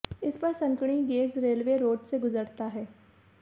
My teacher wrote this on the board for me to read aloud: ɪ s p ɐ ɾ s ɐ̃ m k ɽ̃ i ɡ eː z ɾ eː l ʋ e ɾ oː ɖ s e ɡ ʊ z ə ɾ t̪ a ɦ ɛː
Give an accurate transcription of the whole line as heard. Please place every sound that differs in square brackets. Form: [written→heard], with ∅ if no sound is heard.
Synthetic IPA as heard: ɪ s p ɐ ɾ s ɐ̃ [m→ŋ] k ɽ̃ i ɡ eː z ɾ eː l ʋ e ɾ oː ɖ s e ɡ ʊ z ə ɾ t̪ a ɦ ɛː